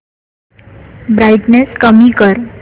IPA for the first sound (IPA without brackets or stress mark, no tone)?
b